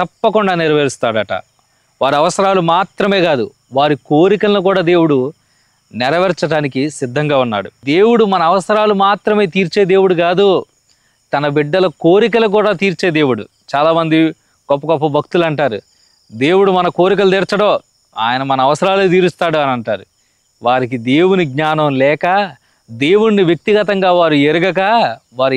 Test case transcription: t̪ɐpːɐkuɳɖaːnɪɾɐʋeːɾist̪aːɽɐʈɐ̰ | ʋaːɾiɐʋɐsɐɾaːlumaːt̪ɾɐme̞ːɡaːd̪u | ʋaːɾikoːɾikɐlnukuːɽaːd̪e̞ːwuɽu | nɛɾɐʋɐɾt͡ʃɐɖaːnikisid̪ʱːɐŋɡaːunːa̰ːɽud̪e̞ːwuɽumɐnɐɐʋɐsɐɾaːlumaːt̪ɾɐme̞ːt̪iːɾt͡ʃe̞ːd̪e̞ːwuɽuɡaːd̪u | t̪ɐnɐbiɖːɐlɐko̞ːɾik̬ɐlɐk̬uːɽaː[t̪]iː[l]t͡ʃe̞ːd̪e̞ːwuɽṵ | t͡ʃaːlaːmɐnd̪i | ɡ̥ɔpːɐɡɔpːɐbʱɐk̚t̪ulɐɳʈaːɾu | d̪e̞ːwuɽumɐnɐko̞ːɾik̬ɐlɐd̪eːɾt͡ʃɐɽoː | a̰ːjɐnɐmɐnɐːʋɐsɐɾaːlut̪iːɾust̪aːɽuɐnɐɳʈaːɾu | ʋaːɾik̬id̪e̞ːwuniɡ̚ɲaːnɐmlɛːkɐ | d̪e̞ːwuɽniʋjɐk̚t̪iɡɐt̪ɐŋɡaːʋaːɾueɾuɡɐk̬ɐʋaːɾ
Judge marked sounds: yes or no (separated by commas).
yes, no